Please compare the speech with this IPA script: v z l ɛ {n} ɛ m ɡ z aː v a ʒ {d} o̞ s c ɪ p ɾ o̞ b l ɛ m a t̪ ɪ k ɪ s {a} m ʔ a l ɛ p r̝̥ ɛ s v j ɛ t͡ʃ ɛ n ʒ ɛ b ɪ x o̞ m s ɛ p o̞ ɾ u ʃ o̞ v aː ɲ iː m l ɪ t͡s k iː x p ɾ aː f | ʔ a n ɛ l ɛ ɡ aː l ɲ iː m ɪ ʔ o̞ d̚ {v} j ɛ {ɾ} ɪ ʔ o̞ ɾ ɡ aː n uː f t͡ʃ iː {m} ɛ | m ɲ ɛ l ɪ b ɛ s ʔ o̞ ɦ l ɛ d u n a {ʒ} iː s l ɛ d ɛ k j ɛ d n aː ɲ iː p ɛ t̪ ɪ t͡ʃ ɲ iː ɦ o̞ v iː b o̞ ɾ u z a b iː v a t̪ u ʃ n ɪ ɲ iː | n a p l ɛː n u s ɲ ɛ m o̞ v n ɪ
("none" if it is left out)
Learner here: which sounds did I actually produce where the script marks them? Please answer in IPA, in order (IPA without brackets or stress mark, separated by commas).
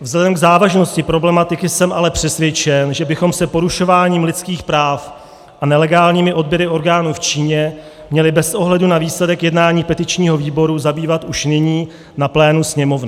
d, n, ɛ, b, ɾ, ɲ, v